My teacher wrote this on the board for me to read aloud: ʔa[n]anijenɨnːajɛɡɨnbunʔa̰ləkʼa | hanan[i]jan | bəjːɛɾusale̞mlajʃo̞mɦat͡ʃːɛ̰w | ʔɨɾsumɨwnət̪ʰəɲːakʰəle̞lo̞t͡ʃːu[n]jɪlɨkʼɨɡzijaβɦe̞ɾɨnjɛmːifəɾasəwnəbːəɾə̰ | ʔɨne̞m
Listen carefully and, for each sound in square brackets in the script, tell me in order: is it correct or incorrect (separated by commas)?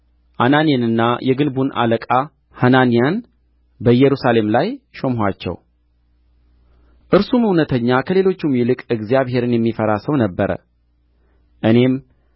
correct, correct, incorrect